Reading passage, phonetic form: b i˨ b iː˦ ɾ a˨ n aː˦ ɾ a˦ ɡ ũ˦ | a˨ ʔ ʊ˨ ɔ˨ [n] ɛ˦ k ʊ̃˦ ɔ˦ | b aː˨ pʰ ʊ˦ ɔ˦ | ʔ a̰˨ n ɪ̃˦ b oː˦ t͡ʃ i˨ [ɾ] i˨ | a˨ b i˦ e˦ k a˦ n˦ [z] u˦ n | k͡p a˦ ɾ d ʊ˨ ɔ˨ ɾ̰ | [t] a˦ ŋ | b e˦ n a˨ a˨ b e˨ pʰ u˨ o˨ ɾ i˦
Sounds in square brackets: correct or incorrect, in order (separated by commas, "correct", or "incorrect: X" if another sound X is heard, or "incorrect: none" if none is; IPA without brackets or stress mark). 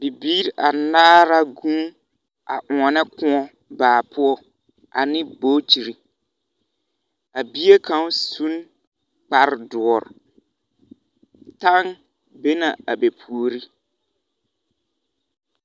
correct, correct, incorrect: s, correct